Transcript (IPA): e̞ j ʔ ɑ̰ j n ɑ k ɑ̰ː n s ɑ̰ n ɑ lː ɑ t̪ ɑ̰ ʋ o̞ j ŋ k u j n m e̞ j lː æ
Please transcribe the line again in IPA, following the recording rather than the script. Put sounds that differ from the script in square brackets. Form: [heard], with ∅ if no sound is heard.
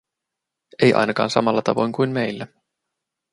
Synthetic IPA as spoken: e̞ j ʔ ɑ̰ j n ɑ k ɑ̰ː n s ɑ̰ [m] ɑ lː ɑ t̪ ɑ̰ ʋ o̞ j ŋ k u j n m e̞ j lː æ